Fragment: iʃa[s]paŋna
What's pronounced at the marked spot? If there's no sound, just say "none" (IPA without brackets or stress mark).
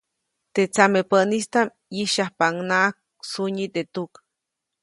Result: h